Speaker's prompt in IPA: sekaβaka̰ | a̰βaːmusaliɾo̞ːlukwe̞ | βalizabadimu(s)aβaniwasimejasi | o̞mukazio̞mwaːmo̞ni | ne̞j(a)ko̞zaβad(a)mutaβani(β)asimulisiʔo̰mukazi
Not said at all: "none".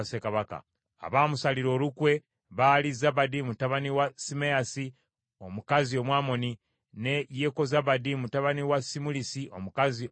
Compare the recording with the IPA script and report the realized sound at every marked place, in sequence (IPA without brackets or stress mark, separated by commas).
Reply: t, e, i, w